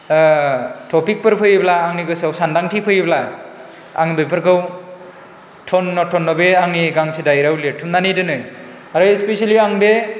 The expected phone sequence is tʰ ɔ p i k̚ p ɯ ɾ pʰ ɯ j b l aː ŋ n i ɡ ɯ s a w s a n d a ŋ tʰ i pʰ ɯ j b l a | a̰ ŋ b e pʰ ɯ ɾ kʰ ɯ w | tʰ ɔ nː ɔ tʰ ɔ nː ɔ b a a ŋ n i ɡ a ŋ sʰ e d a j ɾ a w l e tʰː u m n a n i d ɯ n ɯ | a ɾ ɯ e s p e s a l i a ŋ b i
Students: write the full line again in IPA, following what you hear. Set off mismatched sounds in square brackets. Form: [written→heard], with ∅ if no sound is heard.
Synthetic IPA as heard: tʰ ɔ p i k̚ p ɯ ɾ pʰ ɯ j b l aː ŋ n i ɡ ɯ s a w s a n d a ŋ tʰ i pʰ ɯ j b l a | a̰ ŋ b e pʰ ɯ ɾ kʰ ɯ w | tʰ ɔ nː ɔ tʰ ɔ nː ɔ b [a→e] a ŋ n i ɡ a ŋ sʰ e d a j ɾ a w l e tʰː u m n a n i d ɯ n ɯ | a ɾ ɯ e s p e s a l i a ŋ b [i→e]